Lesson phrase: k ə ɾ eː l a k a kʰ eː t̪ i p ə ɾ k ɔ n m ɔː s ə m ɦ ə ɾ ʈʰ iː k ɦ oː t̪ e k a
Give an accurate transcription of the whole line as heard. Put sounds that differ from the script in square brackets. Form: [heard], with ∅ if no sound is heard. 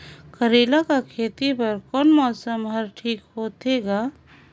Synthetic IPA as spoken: k ə ɾ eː l a k a kʰ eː t̪ i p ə ɾ k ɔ n m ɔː s ə m ɦ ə ɾ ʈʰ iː k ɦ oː t̪ e [ɡ] a